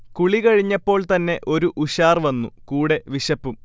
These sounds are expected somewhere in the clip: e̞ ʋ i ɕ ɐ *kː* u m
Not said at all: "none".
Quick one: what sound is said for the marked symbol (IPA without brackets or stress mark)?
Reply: pː